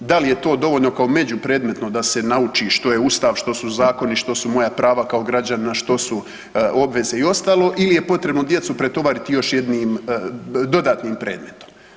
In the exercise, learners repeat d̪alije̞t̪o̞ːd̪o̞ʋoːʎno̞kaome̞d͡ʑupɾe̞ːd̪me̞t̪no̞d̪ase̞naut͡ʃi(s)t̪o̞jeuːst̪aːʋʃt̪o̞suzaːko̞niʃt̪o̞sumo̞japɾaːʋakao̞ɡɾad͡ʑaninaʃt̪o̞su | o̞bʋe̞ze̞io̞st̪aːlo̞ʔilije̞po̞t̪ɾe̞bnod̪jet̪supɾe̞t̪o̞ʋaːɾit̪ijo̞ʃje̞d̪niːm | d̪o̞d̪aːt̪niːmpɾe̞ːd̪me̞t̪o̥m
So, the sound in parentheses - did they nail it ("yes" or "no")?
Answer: no